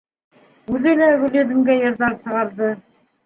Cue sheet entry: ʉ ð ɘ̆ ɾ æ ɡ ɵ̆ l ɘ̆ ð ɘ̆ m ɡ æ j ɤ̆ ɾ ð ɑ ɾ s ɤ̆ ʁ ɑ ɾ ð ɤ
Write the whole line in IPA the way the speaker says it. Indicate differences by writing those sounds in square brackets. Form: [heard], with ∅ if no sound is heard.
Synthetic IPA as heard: ʉ ð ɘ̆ [l] æ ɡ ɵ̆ l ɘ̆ ð ɘ̆ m ɡ æ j ɤ̆ ɾ ð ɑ ɾ s ɤ̆ ʁ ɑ ɾ ð ɤ